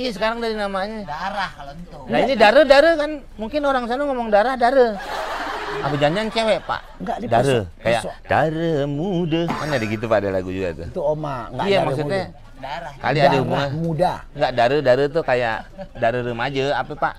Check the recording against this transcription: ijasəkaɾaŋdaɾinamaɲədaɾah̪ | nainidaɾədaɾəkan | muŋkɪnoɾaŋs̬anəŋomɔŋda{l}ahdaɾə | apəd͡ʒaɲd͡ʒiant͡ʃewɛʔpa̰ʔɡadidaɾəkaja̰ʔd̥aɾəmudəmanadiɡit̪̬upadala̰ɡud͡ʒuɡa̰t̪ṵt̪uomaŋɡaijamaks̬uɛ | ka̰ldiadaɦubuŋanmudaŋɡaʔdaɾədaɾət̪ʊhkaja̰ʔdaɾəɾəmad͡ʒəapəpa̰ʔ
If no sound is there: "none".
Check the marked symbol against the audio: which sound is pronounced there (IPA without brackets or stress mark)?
ɾ